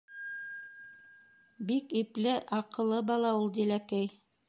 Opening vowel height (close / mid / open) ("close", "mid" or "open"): close